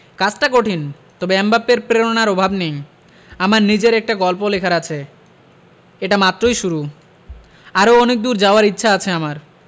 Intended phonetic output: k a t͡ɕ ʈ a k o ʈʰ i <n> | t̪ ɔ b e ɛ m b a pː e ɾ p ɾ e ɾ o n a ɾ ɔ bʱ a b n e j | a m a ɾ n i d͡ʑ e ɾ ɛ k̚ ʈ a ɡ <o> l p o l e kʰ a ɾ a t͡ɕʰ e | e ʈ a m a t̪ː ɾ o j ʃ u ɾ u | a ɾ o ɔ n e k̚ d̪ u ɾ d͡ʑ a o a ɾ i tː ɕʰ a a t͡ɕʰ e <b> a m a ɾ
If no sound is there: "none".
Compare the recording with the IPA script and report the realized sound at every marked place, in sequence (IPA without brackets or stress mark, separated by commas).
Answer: n, ɔ, none